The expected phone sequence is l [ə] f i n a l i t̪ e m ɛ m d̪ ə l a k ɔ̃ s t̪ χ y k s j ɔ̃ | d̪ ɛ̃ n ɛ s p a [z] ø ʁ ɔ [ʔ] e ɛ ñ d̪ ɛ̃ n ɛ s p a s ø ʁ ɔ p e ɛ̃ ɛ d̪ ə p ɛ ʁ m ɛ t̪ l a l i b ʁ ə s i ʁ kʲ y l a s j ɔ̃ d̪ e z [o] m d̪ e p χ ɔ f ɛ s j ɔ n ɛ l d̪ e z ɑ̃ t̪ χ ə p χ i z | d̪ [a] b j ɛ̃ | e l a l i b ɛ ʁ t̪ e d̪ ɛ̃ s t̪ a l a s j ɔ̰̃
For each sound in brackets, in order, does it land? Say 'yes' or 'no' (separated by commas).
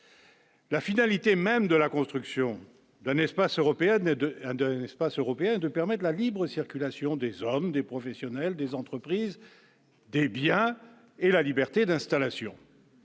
no, no, no, no, no